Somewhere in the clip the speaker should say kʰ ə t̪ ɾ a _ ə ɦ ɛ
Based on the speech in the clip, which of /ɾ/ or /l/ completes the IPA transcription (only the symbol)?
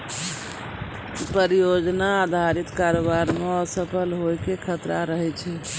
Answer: ɾ